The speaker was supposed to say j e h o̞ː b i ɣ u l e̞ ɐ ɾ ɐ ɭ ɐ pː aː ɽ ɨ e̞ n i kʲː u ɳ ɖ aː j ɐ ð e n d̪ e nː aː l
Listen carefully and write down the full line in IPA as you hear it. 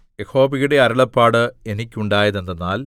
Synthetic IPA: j e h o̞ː b i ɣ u ɽ e̞ ɐ ɾ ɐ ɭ ɐ pː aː ɽ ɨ e̞ n i kʲː u ɳ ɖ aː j ɐ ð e n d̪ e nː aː l